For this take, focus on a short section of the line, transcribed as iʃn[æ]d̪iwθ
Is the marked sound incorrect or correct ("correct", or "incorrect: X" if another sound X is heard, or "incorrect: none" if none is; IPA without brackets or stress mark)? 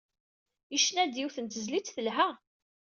correct